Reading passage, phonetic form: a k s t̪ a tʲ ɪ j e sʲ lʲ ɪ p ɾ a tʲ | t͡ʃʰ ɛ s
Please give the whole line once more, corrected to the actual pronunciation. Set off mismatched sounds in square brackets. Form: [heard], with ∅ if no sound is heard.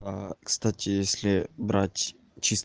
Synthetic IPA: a k s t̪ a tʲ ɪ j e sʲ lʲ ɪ [b] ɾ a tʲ | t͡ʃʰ [i] s